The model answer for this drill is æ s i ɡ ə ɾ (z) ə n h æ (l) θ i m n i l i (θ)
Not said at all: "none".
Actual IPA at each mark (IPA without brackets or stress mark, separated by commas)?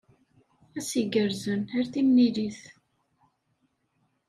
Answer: z, ɾ, θ